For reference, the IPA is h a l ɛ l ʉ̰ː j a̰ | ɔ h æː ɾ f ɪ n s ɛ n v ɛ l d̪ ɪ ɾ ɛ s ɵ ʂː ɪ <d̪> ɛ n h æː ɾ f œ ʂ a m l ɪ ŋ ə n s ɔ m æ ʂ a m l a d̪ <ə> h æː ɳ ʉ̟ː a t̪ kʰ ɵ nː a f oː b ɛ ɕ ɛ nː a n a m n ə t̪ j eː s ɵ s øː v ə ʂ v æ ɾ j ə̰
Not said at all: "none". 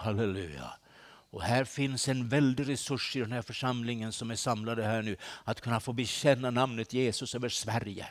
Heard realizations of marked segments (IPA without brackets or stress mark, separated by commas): d̪, ə